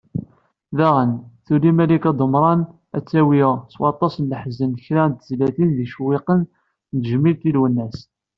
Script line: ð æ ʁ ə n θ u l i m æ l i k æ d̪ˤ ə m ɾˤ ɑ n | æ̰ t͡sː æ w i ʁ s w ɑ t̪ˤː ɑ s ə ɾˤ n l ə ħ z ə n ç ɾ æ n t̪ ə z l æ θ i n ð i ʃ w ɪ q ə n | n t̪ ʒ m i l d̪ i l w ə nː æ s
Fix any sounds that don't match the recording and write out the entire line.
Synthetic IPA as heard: ð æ ʁ ə n θ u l i m æ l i k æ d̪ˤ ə m ɾˤ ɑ n | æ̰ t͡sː æ w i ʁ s w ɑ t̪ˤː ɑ s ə n l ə ħ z ə n ç ɾ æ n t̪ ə z l æ θ i n ð i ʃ w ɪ q ə n | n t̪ ʒ m i l t̪ i l w ə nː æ s